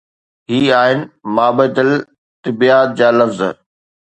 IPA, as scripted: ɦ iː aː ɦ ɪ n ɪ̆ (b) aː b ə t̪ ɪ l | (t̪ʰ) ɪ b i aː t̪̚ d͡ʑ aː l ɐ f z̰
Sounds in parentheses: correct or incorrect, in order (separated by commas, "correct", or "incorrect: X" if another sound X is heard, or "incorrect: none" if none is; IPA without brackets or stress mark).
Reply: incorrect: m, incorrect: t̪